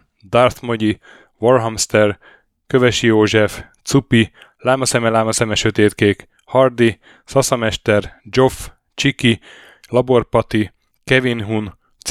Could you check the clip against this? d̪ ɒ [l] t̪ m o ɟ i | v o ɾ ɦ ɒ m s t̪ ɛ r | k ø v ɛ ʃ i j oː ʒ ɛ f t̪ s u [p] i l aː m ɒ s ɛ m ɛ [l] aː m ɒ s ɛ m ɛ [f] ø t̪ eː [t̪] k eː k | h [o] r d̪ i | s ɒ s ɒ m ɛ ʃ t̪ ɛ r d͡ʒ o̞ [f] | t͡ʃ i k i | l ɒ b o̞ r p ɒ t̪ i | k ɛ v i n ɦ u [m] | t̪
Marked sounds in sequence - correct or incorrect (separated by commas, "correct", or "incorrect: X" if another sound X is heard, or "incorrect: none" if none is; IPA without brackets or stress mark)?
incorrect: r, correct, correct, incorrect: ʃ, correct, incorrect: ɒ, correct, incorrect: n